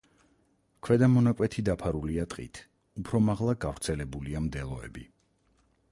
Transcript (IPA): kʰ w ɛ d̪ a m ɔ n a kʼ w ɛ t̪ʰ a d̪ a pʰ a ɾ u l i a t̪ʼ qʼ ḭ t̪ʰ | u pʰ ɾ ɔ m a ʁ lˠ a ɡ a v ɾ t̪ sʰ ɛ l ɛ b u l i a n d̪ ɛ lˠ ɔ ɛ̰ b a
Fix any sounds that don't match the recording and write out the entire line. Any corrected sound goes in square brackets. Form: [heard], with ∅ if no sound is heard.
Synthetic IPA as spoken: kʰ w ɛ d̪ a m ɔ n a kʼ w ɛ t̪ʰ [i] d̪ a pʰ a ɾ u l i a t̪ʼ qʼ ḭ t̪ʰ | u pʰ ɾ ɔ m a ʁ lˠ a ɡ a v ɾ t̪ sʰ ɛ l ɛ b u l i a [m] d̪ ɛ lˠ ɔ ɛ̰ b [i]